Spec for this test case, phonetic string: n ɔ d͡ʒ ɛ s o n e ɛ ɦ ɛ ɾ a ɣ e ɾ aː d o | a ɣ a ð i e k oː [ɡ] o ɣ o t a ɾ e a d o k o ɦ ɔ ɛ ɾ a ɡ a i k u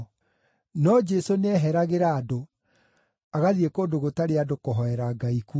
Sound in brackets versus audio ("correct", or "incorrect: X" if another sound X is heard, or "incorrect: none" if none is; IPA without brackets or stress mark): incorrect: d